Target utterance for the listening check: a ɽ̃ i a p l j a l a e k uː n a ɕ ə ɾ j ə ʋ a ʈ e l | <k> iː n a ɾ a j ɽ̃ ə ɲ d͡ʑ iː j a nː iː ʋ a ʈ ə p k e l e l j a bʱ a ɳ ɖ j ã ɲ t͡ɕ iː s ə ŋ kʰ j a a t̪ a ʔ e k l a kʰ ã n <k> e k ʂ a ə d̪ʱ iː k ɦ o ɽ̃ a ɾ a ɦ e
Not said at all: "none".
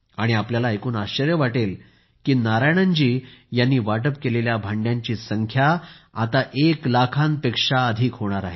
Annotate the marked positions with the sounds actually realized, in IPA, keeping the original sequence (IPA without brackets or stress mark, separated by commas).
k, p